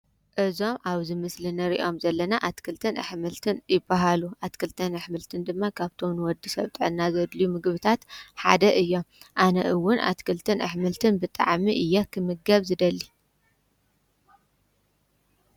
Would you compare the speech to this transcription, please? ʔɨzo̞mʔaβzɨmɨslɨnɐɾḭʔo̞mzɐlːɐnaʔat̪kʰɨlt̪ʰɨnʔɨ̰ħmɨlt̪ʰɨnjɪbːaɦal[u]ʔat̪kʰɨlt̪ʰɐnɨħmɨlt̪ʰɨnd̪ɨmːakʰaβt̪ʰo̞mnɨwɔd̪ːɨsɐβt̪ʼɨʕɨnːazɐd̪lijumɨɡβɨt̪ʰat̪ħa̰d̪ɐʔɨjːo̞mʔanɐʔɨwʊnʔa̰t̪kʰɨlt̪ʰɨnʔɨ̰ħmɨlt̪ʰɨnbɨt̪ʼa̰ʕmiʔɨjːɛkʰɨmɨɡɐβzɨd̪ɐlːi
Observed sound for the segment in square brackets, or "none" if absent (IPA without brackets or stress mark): u